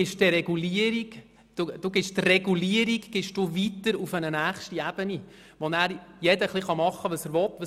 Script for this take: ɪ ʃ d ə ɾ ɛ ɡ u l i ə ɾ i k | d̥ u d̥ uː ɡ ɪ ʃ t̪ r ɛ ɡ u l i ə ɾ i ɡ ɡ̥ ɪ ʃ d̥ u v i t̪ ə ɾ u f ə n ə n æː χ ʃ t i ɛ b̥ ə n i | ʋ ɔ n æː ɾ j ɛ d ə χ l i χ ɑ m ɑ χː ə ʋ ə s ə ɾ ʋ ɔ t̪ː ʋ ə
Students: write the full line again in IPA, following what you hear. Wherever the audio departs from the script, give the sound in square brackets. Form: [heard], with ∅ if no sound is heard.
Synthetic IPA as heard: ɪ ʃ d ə ɾ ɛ ɡ u l i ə ɾ i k | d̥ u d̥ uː ɡ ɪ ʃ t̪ r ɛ ɡ u l i ə ɾ i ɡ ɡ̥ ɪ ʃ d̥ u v i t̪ ə ɾ u f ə n ə n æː χ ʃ t i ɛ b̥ ə n i | ʋ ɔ n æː ɾ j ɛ d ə χ l i χ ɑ m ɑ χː ə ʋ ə s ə ɾ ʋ ɔ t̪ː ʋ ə